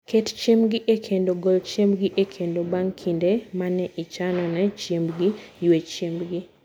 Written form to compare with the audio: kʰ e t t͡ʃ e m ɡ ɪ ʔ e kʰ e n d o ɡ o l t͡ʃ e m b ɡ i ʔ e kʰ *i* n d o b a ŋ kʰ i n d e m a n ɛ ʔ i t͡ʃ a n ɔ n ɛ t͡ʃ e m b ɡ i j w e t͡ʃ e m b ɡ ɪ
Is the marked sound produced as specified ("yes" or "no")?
no